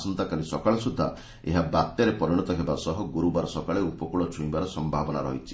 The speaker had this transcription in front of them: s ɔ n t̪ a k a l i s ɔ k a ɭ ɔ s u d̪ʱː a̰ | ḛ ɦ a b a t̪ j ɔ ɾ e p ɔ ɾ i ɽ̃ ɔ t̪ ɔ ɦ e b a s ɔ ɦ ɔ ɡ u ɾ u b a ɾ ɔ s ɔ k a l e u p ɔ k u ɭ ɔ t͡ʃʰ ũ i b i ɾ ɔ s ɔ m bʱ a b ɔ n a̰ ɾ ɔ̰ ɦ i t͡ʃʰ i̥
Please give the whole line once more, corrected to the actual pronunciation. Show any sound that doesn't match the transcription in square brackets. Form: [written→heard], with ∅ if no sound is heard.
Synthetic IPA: s ɔ n t̪ a k a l i s ɔ k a ɭ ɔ s u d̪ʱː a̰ | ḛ ɦ a b a t̪ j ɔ ɾ e p ɔ ɾ i ɽ̃ ɔ t̪ ɔ ɦ e b a s ɔ ɦ ɔ ɡ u ɾ u b a ɾ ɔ s ɔ k a [l→ɭ] e u p ɔ k u ɭ ɔ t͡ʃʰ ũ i b [i→a] ɾ ɔ s ɔ m bʱ a b ɔ n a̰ ɾ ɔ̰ ɦ i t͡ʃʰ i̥